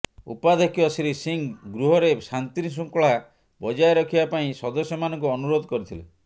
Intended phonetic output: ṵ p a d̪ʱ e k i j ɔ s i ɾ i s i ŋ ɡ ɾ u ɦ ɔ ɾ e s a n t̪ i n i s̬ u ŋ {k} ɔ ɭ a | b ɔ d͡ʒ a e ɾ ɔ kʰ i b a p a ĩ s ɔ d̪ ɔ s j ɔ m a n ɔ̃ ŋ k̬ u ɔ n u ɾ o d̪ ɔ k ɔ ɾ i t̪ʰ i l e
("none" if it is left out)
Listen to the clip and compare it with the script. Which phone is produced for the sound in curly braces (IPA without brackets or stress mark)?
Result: k